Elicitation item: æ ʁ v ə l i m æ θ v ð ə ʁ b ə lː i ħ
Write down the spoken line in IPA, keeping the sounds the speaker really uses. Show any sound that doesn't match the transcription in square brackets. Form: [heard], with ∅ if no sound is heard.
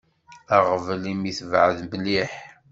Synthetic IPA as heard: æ ʁ v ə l i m [i] θ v [ʕ] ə [ð] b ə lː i ħ